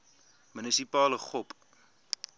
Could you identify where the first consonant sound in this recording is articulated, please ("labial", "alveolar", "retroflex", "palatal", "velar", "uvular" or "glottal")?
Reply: labial